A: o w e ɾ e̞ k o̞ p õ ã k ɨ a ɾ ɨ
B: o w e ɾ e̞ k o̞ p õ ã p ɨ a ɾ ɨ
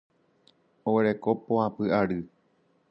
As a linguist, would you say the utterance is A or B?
B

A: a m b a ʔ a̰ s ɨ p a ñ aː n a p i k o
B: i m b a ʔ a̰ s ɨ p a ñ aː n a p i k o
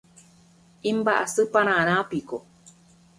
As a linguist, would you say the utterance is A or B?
B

